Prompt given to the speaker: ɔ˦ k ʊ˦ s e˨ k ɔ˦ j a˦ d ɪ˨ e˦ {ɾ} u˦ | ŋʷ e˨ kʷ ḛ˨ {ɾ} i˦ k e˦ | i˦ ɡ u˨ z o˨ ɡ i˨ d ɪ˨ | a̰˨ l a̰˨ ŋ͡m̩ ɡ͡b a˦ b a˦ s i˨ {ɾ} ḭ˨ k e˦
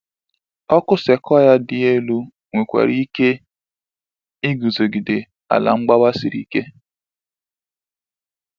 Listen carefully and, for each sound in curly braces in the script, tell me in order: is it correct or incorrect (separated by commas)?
incorrect, correct, correct